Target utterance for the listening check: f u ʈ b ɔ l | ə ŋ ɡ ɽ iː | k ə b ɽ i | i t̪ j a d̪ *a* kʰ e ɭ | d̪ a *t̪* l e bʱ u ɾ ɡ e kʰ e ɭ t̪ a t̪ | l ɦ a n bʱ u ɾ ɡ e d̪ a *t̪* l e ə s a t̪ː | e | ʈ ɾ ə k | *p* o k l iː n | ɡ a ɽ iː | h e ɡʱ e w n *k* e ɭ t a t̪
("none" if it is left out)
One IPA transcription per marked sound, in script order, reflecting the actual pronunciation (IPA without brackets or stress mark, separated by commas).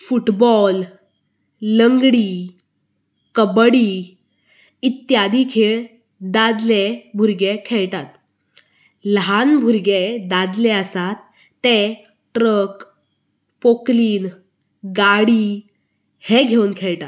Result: i, d̪, d̪, p, kʰ